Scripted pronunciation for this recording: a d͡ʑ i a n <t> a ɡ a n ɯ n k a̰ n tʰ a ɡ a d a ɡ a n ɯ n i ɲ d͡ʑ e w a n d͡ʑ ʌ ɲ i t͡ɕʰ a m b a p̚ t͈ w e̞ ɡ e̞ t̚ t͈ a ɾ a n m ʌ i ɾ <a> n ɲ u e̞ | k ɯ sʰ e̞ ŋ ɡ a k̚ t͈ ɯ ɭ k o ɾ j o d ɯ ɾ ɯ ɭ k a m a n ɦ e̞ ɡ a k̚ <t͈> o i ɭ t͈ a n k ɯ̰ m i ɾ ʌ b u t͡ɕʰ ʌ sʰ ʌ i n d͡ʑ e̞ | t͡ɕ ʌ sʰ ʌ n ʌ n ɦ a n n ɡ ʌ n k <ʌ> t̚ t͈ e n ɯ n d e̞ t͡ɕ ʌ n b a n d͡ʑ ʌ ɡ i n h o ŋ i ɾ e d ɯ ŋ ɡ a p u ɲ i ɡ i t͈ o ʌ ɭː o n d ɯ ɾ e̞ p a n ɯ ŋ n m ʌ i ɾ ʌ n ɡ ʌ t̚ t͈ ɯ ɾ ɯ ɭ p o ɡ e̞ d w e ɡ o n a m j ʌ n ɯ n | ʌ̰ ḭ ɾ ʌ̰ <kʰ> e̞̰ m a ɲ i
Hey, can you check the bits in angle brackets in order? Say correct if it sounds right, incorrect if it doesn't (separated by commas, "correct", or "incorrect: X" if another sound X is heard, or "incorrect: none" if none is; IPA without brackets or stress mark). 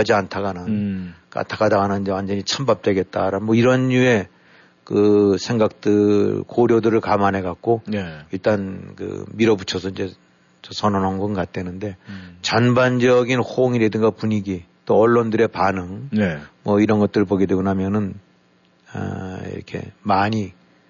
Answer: incorrect: tʰ, incorrect: ʌ, incorrect: k͈, incorrect: a, correct